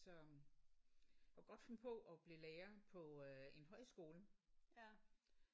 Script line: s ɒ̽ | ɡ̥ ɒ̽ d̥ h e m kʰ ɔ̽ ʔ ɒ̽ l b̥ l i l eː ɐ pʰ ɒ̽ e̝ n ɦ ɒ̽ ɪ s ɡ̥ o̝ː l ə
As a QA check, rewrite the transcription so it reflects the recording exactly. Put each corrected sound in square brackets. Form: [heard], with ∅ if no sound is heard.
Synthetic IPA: s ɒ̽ | ɡ̥ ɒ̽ d̥ [f] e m [pʰ] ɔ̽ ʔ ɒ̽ [∅] b̥ l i l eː ɐ pʰ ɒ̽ e̝ n ɦ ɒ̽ ɪ s ɡ̥ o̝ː l ə